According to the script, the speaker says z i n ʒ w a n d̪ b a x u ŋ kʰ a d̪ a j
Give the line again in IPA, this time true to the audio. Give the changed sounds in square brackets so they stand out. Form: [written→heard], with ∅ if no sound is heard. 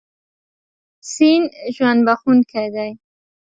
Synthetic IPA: [z→s] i n ʒ w a n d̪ b a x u [ŋ→n] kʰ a d̪ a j